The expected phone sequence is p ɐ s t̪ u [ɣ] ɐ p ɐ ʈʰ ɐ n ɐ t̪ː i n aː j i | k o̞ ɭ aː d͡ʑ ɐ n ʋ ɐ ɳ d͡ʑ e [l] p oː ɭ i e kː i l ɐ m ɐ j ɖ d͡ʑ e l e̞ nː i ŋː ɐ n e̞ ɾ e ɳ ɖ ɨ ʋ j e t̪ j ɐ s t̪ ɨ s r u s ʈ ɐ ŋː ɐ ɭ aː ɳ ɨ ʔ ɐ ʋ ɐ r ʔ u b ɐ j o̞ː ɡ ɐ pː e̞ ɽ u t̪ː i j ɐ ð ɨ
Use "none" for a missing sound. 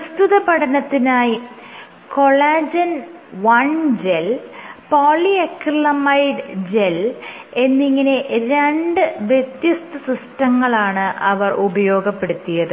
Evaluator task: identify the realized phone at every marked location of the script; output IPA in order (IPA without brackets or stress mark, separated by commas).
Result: ð, l